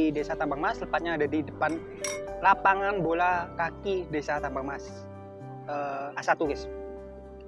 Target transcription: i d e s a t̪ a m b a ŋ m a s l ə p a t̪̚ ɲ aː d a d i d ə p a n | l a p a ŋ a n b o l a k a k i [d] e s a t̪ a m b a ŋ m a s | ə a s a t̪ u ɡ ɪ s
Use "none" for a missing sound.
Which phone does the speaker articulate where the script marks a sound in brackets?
d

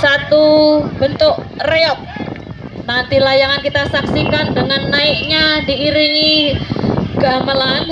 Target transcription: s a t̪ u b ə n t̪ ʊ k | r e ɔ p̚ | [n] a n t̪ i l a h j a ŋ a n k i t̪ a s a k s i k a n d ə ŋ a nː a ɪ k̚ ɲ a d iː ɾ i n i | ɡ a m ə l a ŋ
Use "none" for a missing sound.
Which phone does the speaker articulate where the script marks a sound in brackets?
n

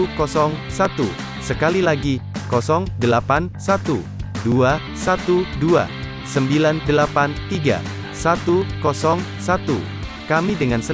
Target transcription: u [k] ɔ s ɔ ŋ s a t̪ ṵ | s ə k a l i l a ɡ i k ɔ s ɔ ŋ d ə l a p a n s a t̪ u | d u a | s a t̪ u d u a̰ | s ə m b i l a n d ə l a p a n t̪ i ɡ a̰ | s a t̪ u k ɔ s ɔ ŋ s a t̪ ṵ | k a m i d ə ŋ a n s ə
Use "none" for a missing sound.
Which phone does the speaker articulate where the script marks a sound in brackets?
k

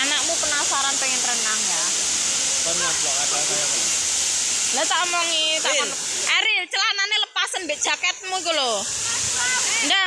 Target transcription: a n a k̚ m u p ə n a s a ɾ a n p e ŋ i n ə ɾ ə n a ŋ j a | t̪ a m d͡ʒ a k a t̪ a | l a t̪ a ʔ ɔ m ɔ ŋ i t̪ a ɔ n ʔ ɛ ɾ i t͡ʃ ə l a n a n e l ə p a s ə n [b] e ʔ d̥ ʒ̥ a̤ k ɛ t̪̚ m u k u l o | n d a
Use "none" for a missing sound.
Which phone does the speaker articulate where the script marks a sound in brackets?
b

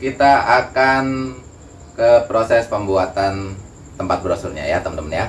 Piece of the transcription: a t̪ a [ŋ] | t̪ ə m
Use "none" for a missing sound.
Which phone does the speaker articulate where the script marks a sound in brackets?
n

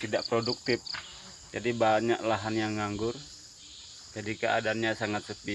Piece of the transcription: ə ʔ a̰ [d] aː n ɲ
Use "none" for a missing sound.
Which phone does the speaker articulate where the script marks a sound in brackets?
d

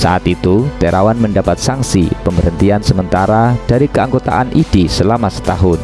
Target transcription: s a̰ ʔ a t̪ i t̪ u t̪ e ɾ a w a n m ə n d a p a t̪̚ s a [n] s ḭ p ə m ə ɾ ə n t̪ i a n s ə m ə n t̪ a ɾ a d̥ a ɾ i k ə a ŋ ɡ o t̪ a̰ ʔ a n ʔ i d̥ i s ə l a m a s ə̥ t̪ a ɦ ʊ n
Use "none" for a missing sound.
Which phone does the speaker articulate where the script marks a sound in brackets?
ŋ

